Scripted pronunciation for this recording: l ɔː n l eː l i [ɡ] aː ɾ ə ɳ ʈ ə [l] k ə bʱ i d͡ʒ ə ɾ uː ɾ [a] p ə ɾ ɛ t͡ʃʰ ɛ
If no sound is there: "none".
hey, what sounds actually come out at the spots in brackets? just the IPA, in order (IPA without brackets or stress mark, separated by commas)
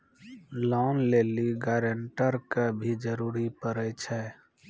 ɡ, ɾ, i